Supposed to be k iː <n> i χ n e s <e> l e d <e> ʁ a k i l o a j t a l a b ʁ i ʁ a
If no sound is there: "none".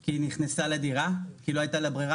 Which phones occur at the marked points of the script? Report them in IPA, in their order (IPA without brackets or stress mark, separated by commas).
n, a, i